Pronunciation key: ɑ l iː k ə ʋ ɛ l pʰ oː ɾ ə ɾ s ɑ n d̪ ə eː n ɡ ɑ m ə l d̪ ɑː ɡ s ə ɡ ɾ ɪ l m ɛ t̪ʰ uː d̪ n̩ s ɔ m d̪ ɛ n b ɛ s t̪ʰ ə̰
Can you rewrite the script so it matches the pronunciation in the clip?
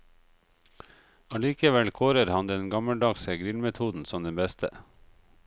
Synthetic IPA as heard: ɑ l iː k ə ʋ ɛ l kʰ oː ɾ ə ɾ h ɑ n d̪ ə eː n ɡ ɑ m ə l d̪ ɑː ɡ s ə ɡ ɾ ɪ l m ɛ t̪ʰ uː d̪ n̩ s ɔ m d̪ ɛ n b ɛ s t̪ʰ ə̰